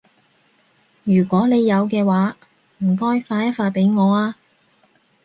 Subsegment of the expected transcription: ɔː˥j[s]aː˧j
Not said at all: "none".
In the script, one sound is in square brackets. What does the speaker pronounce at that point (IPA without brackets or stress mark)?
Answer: f